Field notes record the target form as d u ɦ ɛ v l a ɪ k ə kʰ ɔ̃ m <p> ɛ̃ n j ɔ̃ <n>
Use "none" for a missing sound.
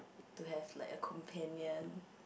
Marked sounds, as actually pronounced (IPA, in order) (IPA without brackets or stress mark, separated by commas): pʰ, n